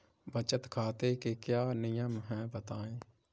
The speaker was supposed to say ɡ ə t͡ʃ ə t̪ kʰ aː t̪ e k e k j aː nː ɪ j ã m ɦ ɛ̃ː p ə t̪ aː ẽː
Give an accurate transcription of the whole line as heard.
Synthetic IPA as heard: b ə t͡ʃ ə t̪ kʰ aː t̪ e k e k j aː n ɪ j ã m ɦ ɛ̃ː b ə t̪ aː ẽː